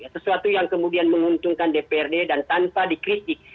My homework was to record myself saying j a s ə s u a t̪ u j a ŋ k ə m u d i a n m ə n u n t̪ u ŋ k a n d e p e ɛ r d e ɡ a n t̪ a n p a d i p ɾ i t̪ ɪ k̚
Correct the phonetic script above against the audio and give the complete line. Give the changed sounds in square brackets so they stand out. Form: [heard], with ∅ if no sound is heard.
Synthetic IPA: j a s ə s u a t̪ u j a ŋ k ə m u d i a n m ə [ŋ] u n t̪ u ŋ k a n d e p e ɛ r d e [d] a n t̪ a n p a d i [k] ɾ i t̪ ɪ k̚

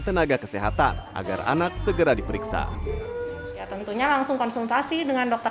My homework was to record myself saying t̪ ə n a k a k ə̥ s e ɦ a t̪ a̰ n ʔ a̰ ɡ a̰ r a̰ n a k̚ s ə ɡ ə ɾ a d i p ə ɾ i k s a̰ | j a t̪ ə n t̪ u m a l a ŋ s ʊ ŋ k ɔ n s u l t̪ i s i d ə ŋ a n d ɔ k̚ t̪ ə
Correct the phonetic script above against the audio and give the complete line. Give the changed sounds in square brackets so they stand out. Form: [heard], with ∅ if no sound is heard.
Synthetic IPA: t̪ ə n a [ɡ] a k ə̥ s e ɦ a t̪ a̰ n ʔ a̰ ɡ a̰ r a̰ n a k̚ s ə ɡ ə ɾ a d i p ə ɾ i k s a̰ | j a t̪ ə n t̪ u [ɲ] a l a ŋ s ʊ ŋ k ɔ n s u l t̪ [a] s i d ə ŋ a n d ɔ k̚ t̪ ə

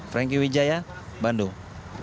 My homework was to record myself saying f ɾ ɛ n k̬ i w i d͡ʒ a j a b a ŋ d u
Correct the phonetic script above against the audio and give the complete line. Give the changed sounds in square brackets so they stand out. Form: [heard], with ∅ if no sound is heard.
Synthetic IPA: f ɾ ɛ [ŋ] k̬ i w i d͡ʒ a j a b a [n] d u

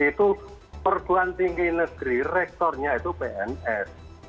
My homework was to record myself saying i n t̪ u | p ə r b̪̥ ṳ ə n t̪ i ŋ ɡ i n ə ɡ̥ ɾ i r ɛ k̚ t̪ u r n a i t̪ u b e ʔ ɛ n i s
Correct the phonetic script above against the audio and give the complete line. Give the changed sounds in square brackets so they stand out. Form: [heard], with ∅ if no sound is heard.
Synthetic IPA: i [∅] t̪ u | p ə r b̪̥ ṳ [a] n t̪ i ŋ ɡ i n ə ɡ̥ ɾ i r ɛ k̚ t̪ [ɔ] r [ɲ] a i t̪ u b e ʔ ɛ n [ɛ] s

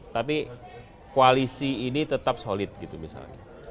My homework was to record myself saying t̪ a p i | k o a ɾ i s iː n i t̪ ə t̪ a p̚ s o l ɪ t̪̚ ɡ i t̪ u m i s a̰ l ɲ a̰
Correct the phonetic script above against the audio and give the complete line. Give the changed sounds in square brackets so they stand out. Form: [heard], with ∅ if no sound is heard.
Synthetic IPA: t̪ a p i | k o a [l] i s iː n i t̪ ə t̪ a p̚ s o l ɪ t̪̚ ɡ i t̪ u m i s a̰ l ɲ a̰

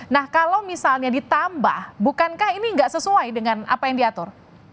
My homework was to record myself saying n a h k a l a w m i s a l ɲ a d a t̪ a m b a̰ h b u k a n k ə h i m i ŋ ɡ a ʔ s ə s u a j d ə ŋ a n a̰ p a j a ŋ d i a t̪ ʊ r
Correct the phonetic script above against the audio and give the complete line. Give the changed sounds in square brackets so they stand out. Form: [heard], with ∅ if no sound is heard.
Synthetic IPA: n a h k a l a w m i s a l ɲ a d [i] t̪ a m b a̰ h b u k a n k [a] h i [n] i ŋ ɡ a ʔ s ə s u a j d ə ŋ a n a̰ p a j a ŋ d i a t̪ ʊ r

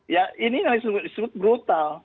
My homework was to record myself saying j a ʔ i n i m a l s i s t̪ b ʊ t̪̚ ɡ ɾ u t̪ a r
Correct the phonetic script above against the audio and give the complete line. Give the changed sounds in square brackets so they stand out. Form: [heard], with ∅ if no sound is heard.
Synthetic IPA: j a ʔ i n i [n] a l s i s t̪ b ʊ t̪̚ [b] ɾ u t̪ a [l]

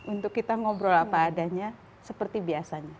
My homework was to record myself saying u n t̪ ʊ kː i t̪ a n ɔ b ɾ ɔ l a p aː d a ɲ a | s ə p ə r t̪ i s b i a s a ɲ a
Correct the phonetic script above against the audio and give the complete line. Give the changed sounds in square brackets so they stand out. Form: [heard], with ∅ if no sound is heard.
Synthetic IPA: u n t̪ ʊ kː i t̪ a [ŋ] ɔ b ɾ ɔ l a p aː d a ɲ a | s ə p ə r t̪ i [∅] b i a s a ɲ a

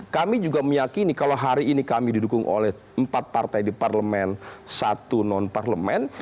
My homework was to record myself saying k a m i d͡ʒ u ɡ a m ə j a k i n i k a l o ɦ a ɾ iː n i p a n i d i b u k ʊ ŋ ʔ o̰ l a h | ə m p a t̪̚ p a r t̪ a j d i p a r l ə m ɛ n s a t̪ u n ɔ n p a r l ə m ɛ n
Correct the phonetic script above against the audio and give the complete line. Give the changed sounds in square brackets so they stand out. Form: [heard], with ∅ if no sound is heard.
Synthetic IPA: k a m i d͡ʒ u ɡ a m ə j a k i n i k a l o ɦ a ɾ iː n i [k] a [m] i d i [d] u k ʊ ŋ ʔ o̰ l [ɛ] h | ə m p a t̪̚ p a r t̪ a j d i p a r l ə m ɛ n s a t̪ u n ɔ n p a r l ə m ɛ n

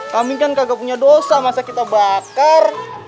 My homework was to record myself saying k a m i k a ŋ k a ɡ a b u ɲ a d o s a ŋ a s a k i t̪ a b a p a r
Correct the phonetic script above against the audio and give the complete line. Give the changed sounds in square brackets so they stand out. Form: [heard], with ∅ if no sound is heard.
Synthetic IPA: k a m i k a [n] k a ɡ a [p] u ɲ a d o s a [m] a s a k i t̪ a b a [k] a r

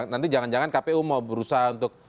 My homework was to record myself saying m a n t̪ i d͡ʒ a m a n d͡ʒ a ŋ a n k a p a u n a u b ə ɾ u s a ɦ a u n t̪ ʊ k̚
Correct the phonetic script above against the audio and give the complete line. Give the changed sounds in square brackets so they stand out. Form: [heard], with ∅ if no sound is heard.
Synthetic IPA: [n] a n t̪ i d͡ʒ a [ŋ] a n d͡ʒ a ŋ a n k a p [e] u [m] a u b ə ɾ u s a ɦ a u n t̪ ʊ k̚

